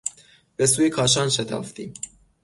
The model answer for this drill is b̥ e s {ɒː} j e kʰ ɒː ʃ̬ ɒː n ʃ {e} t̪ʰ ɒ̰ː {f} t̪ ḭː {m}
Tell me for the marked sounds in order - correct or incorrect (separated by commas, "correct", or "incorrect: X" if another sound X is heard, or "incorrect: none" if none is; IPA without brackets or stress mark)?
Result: incorrect: uː, correct, correct, correct